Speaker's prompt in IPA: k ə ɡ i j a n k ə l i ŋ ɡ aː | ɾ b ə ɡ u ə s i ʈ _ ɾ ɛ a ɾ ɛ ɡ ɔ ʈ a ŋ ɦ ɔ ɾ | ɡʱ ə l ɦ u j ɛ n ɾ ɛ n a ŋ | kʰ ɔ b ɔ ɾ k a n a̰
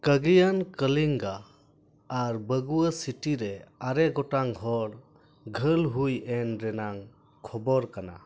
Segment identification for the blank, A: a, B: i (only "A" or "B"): B